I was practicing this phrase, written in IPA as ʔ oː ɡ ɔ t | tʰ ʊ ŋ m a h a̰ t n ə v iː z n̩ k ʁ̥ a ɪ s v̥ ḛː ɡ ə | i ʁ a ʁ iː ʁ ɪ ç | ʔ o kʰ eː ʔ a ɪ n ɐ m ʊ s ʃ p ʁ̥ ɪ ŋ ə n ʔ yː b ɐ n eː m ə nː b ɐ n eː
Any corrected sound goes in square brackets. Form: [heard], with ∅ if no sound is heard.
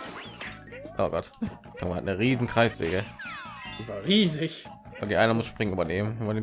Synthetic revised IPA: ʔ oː ɡ ɔ t | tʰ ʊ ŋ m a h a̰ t n ə [ʁ] iː z n̩ k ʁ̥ a ɪ s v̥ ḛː ɡ ə | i [v] a ʁ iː [z] ɪ ç | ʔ o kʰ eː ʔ a ɪ n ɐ m ʊ s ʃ p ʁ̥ ɪ ŋ ə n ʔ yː b ɐ n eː m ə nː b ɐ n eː